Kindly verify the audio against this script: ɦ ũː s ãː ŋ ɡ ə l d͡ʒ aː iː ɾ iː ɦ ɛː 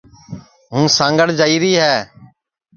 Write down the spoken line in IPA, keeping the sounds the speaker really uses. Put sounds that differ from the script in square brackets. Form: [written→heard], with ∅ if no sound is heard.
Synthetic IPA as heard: ɦ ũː s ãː ŋ ɡ ə [l→ɽ] d͡ʒ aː iː ɾ iː ɦ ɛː